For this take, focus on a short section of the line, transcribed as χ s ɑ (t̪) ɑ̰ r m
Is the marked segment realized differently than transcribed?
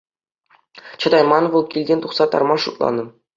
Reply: no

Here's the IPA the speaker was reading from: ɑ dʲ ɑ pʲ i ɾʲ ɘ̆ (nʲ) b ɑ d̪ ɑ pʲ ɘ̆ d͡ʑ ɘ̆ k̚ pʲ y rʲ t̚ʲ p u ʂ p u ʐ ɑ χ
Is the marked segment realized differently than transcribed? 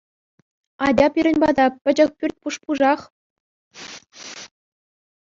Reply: no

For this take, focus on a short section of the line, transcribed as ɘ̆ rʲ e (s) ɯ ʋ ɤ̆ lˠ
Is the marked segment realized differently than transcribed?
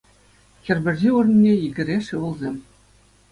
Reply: yes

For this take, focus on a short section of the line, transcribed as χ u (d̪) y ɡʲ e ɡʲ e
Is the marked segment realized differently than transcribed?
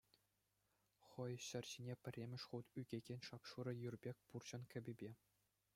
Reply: yes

